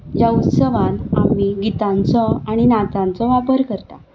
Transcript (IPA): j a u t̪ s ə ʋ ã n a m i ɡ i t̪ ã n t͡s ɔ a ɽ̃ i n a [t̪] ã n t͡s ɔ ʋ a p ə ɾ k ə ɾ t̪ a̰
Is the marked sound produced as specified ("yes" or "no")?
yes